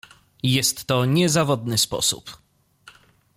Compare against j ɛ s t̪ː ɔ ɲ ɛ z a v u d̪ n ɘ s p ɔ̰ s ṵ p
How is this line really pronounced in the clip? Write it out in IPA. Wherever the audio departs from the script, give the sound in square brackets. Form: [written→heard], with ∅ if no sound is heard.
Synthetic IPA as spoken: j ɛ s t̪ː ɔ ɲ ɛ z a v [u→ɔ] d̪ n ɘ s p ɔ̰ s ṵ p